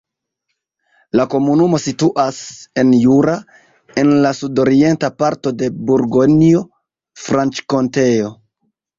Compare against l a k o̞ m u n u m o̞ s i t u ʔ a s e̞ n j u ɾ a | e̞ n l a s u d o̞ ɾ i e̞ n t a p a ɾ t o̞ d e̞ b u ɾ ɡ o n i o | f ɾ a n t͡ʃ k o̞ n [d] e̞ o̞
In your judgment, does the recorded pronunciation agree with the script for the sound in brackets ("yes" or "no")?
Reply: no